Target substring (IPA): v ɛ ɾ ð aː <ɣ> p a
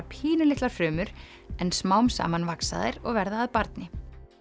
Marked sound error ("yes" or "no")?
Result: yes